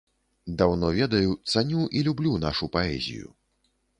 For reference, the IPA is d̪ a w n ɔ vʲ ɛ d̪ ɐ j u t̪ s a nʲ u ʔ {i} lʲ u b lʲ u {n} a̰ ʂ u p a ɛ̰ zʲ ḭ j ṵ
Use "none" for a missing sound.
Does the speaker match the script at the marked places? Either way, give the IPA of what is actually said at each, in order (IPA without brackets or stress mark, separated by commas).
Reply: i, n